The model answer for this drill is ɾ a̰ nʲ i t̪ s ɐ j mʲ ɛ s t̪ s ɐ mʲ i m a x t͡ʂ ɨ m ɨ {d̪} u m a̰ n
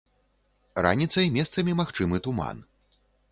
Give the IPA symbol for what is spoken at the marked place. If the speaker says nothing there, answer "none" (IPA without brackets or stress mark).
t̪